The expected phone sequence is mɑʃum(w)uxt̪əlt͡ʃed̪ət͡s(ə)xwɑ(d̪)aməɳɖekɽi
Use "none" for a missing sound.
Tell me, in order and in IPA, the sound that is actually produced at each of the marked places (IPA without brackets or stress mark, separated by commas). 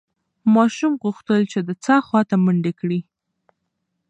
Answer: ɣ, ɑ, t̪